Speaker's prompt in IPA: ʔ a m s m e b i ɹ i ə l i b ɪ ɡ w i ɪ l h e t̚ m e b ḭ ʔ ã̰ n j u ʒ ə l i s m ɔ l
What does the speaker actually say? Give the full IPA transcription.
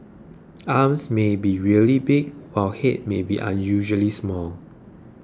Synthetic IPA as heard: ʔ a m s m e b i ɹ i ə l i b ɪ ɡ w a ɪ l h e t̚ m e b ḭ ʔ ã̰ n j u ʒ ə l i s m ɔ l